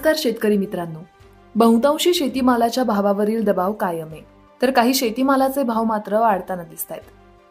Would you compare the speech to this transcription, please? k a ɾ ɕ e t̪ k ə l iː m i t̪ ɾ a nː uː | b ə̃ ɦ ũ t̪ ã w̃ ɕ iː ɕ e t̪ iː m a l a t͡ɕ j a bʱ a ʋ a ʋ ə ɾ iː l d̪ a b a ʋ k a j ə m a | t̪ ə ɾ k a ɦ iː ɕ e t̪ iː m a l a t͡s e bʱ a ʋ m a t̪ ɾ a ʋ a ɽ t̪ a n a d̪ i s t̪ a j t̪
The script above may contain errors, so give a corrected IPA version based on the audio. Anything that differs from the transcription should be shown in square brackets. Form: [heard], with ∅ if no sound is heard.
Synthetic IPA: k a ɾ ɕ e t̪ k ə [ɾ] iː m i t̪ ɾ a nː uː | b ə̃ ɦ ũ t̪ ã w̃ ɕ iː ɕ e t̪ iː m a l a t͡ɕ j a bʱ a ʋ a ʋ ə ɾ iː l d̪ [ə] b a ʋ k a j ə m [e] | t̪ ə ɾ k a ɦ iː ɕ e t̪ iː m a l a t͡s e bʱ a ʋ m a t̪ ɾ [ə] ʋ a ɽ t̪ a n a d̪ i s t̪ a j t̪